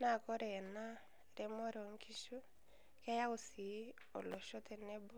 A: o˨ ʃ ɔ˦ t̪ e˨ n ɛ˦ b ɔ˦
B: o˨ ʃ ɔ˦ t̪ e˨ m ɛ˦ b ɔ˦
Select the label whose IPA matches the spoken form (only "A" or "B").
A